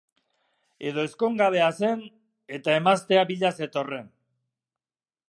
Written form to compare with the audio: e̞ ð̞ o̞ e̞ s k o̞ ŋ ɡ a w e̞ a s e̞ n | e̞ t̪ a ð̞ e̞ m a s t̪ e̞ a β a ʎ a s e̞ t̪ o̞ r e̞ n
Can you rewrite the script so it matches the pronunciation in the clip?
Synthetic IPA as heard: e̞ ð̞ o̞ e̞ s k o̞ ŋ ɡ a β e̞ a s e̞ n | e̞ t̪ a e̞ m a s t̪ e̞ a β i ʎ a s e̞ t̪ o̞ r e̞ n